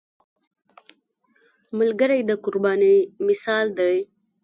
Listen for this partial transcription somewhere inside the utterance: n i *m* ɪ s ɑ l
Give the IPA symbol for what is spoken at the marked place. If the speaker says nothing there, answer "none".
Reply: m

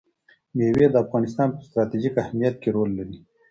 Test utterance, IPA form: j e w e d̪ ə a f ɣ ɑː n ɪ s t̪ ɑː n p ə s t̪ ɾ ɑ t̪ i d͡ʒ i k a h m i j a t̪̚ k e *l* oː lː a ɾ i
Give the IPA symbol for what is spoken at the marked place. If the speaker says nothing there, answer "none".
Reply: ɾ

